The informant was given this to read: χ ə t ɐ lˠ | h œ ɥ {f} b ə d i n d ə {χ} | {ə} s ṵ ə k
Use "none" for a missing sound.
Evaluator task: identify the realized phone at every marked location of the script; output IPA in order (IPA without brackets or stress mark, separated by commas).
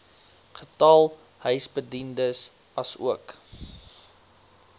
s, s, ɐ